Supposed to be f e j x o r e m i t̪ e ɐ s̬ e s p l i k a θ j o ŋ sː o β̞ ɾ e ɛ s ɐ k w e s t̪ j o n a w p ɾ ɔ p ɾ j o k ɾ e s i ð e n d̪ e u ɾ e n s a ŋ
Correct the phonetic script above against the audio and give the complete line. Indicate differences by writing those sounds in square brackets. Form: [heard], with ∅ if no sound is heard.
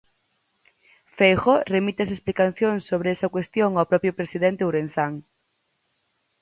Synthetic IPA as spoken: f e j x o r e m i t̪ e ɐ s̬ e s p l i k a θ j o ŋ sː o β̞ ɾ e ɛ s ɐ k w e s t̪ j o [ŋ] a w p ɾ ɔ p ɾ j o [p] ɾ e s i ð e n [t̪] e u ɾ e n s a ŋ

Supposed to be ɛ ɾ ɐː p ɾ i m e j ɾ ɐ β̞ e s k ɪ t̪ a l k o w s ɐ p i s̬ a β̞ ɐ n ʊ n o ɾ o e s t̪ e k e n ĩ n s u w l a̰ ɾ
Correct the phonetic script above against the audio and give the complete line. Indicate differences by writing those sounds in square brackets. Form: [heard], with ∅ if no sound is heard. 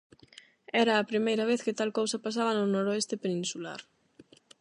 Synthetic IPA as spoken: ɛ ɾ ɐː p ɾ i m e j ɾ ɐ β̞ e [θ] k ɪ t̪ a l k o w s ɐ p [a] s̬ a β̞ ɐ n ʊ n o ɾ o e s t̪ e [p] e n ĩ n s u [∅] l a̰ ɾ

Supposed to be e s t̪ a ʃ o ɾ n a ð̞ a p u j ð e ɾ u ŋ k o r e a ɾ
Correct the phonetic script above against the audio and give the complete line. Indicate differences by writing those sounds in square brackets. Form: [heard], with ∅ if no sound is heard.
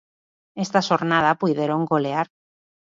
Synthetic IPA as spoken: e s t̪ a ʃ o ɾ n a ð̞ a p u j ð e ɾ [o] ŋ [ɡ] o [l] e a ɾ

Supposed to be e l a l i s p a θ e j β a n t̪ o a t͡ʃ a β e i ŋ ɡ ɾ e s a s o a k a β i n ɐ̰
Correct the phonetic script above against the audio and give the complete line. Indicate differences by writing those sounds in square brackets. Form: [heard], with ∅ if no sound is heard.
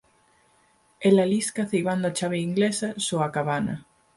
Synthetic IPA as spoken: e l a l i s [k] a θ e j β a n [d̪] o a t͡ʃ a β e i ŋ ɡ [l] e s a s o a k a β [a] n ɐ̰

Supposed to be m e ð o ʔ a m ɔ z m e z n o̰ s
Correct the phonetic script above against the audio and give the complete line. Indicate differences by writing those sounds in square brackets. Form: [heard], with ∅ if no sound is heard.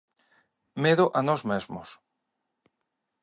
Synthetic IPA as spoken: m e ð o ʔ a [n] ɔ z m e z [m] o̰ s

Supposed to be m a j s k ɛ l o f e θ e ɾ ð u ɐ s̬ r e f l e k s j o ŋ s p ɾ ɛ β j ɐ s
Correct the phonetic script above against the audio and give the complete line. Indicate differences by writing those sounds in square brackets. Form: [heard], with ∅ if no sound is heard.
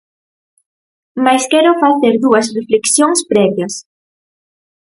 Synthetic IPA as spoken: m a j s k ɛ [ɾ] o f [a] θ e ɾ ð u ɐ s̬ r e f l e k s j o ŋ s p ɾ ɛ β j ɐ s

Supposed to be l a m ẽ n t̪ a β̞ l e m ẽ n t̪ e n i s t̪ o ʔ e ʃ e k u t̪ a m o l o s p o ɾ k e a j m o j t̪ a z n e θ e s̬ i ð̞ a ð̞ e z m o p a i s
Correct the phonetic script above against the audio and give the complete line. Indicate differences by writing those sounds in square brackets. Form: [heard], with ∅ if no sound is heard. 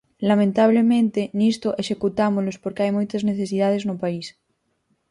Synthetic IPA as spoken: l a m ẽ n t̪ a β̞ l e m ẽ n t̪ e n i s t̪ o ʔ e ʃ e k u t̪ a m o l o s p o ɾ k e a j m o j t̪ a z n e θ e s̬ i ð̞ a ð̞ e z [n] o p a i s

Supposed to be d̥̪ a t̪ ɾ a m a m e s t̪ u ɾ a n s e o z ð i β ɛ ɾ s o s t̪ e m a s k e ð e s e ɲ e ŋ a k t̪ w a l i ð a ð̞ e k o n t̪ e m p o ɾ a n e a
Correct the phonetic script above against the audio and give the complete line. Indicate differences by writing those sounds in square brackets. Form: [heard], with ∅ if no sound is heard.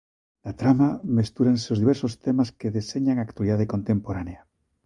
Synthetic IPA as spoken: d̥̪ a t̪ ɾ a m a m e s t̪ u ɾ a n s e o z ð i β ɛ ɾ s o s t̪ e m a s k e ð e s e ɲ [a] ŋ a k t̪ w a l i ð a ð̞ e k o n t̪ e m p o ɾ a n e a

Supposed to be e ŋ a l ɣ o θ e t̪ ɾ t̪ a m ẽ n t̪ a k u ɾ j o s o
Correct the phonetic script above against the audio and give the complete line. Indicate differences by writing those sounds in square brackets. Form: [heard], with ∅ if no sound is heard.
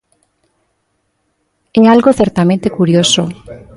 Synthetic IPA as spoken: e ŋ a l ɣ o θ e [∅] ɾ t̪ a m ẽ n t̪ [e] k u ɾ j o s o

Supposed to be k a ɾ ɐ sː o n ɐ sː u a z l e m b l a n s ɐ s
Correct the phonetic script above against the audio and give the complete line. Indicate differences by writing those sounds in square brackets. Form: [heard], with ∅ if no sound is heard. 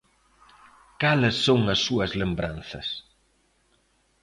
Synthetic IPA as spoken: k a [l] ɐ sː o [ŋ] ɐ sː u [ɐ] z l e m b [ɾ] a n [θ] ɐ s

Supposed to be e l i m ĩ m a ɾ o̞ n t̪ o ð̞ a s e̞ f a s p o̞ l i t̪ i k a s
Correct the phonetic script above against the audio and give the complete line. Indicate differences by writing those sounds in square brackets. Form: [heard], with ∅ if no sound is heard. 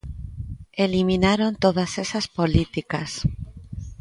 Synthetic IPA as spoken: e l i m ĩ [n] a ɾ o̞ n t̪ o ð̞ a s e̞ [s] a s p o̞ l i t̪ i k a s

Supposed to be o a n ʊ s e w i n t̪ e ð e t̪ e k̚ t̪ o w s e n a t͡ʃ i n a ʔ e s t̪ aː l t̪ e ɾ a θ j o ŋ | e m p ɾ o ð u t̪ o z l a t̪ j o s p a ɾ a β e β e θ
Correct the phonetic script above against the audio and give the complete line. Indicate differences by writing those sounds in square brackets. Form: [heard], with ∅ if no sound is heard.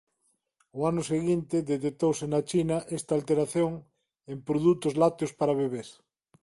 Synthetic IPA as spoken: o a n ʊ s e [ɣ] i n t̪ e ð e t̪ e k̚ t̪ o w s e n a t͡ʃ i n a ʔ e s t̪ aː l t̪ e ɾ a θ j o ŋ | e m p ɾ o ð u t̪ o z l a t̪ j o s p a ɾ a β e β e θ

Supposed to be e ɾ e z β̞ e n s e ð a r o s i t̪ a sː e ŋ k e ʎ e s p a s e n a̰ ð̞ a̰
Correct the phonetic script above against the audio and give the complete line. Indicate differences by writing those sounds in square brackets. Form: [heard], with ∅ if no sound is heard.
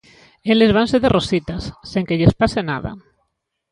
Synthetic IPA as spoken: e [l] e z β̞ [a] n s e ð [e] r o s i t̪ a sː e ŋ k e ʎ e s p a s e n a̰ ð̞ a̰

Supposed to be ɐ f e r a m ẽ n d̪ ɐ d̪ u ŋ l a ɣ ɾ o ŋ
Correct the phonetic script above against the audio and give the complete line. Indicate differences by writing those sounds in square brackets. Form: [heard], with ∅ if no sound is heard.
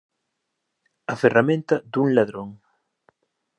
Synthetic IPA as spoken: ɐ f e r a m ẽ n [t̪] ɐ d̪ u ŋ l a [ð] ɾ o ŋ

